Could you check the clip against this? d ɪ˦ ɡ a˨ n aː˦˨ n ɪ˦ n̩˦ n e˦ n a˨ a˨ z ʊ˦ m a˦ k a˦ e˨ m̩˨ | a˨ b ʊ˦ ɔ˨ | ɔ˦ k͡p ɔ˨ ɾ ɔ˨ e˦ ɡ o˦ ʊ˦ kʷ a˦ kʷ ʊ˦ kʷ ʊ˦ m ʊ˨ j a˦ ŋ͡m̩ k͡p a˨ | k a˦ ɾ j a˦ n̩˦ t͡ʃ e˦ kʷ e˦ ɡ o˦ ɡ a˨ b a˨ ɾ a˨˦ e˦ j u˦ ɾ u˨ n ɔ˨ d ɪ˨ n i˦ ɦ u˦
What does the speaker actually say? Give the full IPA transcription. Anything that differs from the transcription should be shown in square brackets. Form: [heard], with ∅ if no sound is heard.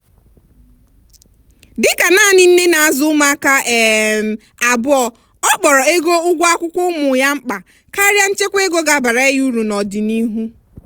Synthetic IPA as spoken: d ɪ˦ [k] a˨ n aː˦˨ n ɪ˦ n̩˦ n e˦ n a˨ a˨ z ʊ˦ m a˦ k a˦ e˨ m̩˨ | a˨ b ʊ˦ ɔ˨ | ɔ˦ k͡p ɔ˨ ɾ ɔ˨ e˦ ɡ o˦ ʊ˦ [ɡʷ] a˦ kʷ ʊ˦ kʷ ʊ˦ m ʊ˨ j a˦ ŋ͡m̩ k͡p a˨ | k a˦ ɾ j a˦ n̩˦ t͡ʃ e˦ kʷ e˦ ɡ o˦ ɡ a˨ b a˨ ɾ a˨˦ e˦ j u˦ ɾ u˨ n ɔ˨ d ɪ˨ n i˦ ɦ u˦